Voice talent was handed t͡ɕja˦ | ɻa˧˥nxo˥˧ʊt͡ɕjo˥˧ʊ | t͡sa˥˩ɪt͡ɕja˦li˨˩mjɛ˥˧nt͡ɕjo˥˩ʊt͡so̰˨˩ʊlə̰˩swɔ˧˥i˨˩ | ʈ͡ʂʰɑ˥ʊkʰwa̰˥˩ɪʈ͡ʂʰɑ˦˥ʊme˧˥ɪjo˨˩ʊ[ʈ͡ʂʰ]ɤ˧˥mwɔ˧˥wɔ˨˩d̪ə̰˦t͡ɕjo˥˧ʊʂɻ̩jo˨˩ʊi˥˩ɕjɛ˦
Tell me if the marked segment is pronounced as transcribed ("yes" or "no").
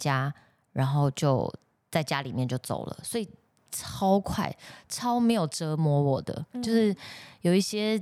no